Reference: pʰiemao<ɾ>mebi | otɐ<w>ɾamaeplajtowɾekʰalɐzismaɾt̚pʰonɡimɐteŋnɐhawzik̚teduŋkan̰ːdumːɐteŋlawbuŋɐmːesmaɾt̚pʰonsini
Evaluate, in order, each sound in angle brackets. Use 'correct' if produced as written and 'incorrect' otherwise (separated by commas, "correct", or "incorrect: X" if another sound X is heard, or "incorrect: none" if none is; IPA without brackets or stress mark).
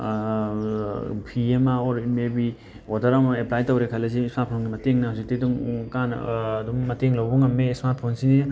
correct, incorrect: none